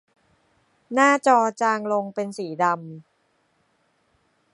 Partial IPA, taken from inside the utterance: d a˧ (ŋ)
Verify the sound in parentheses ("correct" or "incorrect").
incorrect